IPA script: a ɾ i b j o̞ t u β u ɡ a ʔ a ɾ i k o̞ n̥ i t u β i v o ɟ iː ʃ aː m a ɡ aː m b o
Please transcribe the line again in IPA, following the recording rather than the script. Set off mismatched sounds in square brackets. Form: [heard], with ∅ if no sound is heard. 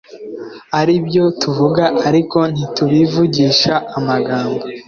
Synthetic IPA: a ɾ i b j o̞ t u [v] u ɡ a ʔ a ɾ i k o̞ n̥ i t u β i v [u] ɟ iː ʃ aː m a ɡ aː m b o